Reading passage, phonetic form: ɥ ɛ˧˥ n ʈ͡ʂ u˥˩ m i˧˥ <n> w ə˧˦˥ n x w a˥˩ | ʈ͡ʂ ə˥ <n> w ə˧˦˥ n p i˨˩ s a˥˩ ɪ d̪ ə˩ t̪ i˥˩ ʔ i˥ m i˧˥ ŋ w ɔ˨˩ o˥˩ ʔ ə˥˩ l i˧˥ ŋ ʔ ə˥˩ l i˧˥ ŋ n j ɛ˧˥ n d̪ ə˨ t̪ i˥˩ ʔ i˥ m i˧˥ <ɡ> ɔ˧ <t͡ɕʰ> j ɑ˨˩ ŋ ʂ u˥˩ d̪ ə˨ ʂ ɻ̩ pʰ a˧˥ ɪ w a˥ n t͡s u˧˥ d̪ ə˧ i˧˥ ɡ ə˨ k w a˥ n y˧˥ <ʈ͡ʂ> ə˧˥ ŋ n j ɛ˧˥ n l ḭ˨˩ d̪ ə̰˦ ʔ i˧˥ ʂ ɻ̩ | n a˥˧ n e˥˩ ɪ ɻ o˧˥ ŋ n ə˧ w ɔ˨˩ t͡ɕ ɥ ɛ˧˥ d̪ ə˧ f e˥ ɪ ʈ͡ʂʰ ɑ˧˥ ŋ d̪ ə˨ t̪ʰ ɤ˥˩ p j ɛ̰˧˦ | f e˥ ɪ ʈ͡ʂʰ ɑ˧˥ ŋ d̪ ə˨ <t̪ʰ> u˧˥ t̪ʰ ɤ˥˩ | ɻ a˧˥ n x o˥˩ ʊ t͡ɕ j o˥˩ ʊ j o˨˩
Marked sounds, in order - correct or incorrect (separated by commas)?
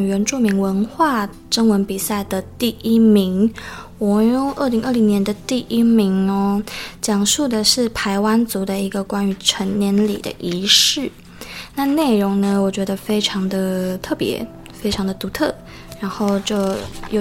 incorrect, incorrect, incorrect, incorrect, incorrect, incorrect